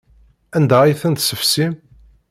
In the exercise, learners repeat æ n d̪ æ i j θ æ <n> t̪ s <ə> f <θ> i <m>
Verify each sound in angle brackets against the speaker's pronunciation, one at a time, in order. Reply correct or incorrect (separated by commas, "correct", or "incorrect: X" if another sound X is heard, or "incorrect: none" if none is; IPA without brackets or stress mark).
correct, correct, incorrect: s, correct